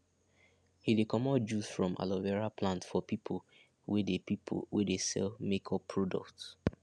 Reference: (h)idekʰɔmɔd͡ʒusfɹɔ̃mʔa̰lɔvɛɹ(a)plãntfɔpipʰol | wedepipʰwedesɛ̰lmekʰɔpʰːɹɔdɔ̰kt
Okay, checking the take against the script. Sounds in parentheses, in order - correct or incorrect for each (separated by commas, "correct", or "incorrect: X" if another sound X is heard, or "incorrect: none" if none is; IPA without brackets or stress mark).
correct, correct